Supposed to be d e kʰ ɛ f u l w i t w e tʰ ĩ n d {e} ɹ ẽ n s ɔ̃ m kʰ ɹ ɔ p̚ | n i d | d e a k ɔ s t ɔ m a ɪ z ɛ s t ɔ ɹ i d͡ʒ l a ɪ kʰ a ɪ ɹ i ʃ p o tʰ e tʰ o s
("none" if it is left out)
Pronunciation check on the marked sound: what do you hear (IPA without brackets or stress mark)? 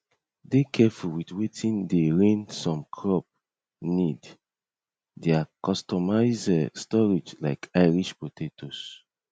e